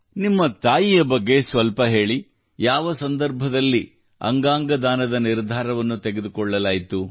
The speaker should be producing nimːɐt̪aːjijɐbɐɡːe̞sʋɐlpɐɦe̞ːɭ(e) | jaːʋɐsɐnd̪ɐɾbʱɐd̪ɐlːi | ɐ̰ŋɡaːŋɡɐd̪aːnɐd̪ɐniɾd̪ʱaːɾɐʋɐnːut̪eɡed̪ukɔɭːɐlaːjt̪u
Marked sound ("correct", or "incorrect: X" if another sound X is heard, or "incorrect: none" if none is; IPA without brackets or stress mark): incorrect: i